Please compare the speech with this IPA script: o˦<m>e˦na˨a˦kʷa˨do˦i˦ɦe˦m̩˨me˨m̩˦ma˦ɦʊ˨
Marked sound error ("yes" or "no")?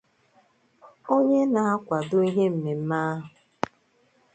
yes